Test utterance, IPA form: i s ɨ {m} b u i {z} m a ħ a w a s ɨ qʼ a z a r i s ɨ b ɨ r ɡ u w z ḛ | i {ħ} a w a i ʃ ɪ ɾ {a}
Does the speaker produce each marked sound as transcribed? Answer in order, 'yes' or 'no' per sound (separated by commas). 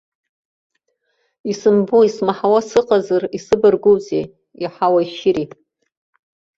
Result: yes, no, yes, no